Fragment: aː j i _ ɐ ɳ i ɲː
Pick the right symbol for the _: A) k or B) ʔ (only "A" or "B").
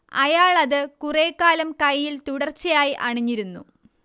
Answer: B